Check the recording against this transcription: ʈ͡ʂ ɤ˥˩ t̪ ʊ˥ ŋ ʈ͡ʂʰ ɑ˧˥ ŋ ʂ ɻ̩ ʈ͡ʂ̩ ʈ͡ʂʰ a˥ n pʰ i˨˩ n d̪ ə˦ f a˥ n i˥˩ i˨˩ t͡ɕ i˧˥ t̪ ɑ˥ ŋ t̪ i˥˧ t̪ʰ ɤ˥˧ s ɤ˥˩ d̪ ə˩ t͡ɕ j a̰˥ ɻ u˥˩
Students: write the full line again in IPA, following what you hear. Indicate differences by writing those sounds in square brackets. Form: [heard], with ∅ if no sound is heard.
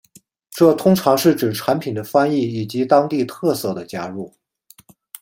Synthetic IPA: ʈ͡ʂ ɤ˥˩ [t̪ʰ] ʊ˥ ŋ ʈ͡ʂʰ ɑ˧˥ ŋ ʂ ɻ̩ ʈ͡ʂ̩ ʈ͡ʂʰ [a˧˥] n pʰ i˨˩ n d̪ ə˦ f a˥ n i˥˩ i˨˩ t͡ɕ i˧˥ t̪ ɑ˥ ŋ t̪ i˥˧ t̪ʰ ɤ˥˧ s ɤ˥˩ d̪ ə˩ t͡ɕ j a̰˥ ɻ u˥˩